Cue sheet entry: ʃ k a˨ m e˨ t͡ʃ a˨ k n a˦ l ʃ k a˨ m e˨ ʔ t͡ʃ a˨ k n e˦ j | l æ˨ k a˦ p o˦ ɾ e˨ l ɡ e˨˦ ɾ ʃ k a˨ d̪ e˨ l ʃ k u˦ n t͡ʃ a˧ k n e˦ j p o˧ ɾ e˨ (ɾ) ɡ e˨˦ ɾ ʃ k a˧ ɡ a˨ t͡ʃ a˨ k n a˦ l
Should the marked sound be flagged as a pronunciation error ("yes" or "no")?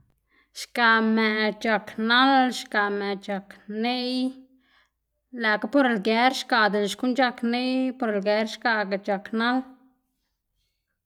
yes